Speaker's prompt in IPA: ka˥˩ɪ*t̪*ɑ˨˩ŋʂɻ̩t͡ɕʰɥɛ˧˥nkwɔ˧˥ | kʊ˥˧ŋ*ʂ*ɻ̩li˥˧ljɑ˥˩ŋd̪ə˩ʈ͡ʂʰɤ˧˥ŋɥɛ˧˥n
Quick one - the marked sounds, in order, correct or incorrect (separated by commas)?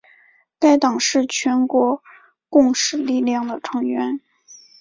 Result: correct, correct